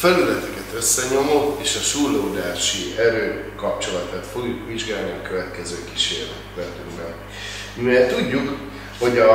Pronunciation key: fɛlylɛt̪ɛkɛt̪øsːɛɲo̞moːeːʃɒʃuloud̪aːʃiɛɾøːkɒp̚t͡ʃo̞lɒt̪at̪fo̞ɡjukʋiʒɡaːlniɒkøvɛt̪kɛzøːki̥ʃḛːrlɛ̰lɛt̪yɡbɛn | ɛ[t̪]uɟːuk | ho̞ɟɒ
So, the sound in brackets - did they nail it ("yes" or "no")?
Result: yes